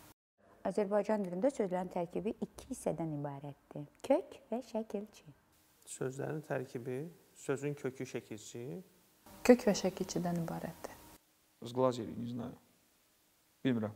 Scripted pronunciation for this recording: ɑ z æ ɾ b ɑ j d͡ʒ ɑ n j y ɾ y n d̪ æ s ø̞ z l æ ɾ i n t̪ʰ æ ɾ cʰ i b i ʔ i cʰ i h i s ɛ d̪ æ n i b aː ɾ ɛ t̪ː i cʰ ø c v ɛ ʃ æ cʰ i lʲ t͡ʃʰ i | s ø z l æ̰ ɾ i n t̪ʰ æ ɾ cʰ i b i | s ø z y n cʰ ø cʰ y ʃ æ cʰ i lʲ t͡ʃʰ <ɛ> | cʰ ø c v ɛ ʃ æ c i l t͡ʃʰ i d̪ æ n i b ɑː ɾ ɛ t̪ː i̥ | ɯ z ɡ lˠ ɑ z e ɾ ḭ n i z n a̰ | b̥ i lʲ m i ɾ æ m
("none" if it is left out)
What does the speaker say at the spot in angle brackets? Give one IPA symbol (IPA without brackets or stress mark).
i